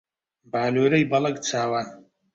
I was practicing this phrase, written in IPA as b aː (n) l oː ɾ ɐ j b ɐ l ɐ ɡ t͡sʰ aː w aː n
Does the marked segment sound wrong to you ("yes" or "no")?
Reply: yes